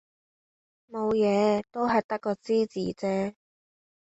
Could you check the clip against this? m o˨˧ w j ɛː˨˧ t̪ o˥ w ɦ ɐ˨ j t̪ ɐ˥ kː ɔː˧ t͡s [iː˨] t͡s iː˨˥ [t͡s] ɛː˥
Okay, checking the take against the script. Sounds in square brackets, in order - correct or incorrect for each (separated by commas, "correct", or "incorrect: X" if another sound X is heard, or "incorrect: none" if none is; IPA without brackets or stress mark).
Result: incorrect: iː˥, correct